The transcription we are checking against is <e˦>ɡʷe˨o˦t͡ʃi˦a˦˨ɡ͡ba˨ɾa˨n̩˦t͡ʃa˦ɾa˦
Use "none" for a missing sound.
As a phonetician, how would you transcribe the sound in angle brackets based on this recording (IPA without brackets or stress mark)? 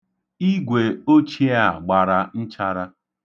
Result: i˦